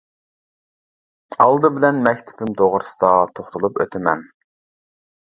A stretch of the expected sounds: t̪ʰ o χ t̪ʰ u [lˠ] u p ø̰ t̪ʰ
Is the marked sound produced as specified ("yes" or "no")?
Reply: yes